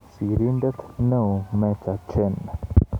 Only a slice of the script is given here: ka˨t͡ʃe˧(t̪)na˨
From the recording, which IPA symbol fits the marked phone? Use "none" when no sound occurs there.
none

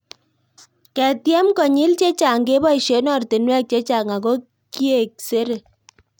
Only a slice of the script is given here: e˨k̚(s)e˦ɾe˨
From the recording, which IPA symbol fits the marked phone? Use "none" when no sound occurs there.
s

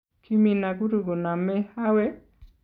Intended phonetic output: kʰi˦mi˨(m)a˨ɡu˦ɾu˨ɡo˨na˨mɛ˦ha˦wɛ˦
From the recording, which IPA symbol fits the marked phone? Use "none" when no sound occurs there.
n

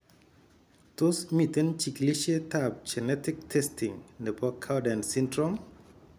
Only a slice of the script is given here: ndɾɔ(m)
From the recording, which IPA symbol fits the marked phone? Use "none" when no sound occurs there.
m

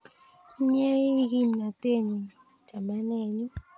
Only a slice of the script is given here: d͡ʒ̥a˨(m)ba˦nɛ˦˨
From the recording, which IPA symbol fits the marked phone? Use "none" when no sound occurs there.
m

